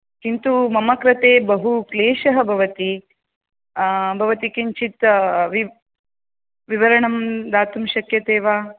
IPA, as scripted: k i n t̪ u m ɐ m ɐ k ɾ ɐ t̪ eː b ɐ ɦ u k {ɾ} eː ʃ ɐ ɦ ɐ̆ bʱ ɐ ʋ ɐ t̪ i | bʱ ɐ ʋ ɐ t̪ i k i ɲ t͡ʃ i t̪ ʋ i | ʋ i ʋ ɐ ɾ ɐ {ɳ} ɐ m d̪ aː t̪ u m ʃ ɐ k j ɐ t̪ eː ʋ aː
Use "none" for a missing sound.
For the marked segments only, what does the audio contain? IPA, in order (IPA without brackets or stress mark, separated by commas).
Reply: l, ɳ